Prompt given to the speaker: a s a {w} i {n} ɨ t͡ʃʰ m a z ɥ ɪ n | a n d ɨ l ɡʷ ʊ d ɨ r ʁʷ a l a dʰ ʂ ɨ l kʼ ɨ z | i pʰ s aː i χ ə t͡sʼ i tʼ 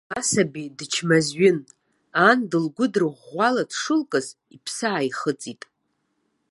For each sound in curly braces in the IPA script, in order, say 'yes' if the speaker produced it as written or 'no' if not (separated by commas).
no, no